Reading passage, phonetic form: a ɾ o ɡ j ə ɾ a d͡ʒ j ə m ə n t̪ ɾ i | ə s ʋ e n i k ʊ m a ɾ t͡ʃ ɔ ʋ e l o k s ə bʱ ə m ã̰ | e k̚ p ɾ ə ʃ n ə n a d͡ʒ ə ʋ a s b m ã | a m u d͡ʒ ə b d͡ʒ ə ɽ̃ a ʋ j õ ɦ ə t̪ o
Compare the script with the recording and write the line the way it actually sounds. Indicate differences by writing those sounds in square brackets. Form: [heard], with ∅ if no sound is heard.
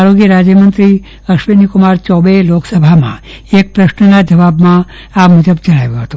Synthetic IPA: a ɾ o ɡ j ə ɾ a d͡ʒ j ə m ə n t̪ ɾ i | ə [ʃ] ʋ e n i k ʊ m a ɾ t͡ʃ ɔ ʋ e l o k s ə bʱ [a] m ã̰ | e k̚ p ɾ ə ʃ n ə n a d͡ʒ ə ʋ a [∅] b m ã | a m u d͡ʒ ə b d͡ʒ ə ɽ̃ a ʋ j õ ɦ ə t̪ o